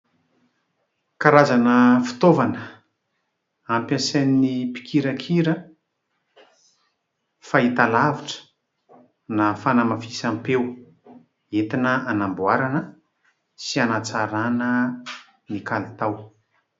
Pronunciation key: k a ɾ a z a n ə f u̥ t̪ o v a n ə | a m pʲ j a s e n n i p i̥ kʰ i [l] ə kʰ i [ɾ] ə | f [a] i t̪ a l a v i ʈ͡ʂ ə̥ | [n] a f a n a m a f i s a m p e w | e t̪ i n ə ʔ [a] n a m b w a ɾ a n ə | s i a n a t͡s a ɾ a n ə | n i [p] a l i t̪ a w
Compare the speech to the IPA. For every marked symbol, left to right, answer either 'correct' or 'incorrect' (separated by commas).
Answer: incorrect, correct, correct, correct, correct, incorrect